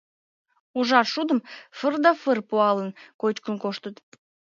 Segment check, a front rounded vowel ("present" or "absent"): absent